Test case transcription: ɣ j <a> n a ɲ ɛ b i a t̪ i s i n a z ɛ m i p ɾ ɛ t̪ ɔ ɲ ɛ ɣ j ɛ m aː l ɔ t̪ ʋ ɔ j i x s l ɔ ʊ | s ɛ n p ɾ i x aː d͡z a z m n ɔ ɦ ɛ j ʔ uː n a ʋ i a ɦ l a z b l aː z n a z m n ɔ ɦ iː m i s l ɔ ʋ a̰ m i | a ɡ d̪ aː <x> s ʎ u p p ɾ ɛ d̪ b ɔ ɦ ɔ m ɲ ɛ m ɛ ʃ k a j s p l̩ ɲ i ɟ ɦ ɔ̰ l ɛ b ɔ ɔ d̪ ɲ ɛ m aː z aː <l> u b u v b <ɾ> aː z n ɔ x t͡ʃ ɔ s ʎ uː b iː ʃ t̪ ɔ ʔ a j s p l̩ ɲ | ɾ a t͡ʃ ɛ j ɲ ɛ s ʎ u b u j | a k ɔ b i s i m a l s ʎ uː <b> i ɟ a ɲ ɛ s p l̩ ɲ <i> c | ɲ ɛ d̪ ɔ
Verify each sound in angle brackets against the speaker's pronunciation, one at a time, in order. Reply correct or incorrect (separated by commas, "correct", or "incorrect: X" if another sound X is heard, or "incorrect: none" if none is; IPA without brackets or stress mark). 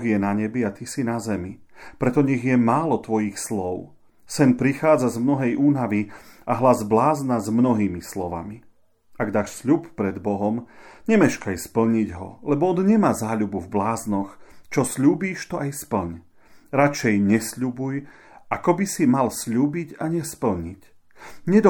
incorrect: ɛ, incorrect: ʃ, incorrect: ʎ, incorrect: l, correct, correct